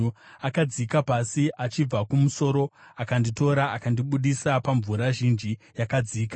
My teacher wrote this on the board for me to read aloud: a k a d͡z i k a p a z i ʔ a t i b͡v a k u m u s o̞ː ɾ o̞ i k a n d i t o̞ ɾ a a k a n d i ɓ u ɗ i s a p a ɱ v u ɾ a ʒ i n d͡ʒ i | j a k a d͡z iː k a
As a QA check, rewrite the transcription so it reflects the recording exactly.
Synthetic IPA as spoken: a k a d͡z i k a p a s i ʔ a t͡ʃ i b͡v a k u m u s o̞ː ɾ o̞ a k a n d i t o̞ ɾ a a k a n d i ɓ u ɗ i s a p a ɱ v u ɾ a ʒ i n d͡ʒ i | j a k a d͡z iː k a